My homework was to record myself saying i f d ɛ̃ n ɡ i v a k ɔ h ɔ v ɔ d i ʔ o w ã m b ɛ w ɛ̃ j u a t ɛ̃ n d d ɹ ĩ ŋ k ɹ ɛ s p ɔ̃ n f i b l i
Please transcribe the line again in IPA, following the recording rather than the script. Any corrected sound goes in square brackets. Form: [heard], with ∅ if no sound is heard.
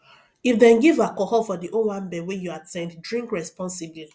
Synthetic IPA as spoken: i f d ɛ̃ n ɡ i v a k ɔ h ɔ [f] ɔ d i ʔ o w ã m b ɛ w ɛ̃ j u a t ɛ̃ n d d ɹ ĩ ŋ k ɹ ɛ s p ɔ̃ n [s] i b l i